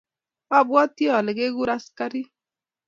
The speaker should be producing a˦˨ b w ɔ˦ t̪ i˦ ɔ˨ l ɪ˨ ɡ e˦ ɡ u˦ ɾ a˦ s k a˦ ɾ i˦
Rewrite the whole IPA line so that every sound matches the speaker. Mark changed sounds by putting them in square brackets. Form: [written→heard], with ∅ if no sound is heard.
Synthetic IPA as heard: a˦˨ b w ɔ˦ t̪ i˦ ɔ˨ l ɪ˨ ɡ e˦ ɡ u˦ ɾ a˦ s k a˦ ɾ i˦